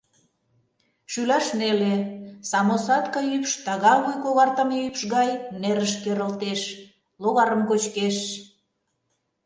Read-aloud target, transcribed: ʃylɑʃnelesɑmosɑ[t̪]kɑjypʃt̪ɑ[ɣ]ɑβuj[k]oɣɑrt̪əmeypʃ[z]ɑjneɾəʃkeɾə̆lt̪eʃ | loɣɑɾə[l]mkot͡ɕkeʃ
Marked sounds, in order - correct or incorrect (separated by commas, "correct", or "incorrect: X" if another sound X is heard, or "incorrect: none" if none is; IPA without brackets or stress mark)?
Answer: correct, correct, correct, incorrect: ɣ, incorrect: none